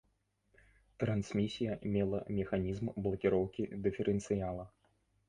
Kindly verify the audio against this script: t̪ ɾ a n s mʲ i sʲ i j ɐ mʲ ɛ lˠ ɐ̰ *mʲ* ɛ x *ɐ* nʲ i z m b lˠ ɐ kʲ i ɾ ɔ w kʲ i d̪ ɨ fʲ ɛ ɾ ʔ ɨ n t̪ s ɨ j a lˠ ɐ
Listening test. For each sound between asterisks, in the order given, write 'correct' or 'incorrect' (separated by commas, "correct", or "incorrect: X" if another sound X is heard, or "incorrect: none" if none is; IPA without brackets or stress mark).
correct, incorrect: a